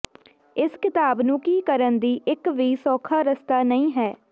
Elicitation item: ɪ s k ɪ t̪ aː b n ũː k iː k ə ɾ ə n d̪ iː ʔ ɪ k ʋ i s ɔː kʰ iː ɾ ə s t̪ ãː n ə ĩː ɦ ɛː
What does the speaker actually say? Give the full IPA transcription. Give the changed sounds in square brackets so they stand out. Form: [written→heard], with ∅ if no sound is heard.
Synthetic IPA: ɪ s k ɪ t̪ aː b n ũː k iː k ə ɾ ə n d̪ iː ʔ ɪ k ʋ [i→iː] s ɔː kʰ [iː→aː] ɾ ə s t̪ [ãː→aː] n ə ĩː ɦ ɛː